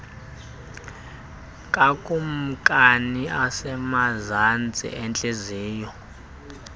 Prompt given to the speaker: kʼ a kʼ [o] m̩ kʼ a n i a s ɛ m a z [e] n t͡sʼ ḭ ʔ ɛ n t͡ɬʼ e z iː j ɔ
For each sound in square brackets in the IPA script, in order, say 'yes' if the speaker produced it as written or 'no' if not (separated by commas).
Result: no, no